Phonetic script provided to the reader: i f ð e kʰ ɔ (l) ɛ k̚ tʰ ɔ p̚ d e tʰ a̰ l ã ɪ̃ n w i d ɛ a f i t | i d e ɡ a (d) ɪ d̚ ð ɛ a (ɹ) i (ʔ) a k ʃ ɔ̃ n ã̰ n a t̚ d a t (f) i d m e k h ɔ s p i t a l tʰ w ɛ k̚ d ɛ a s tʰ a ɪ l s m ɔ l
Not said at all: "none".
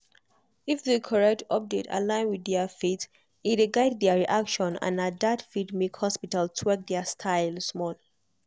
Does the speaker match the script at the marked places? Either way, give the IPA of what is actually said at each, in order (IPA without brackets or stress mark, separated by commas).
ɹ, none, ɹ, ʔ, f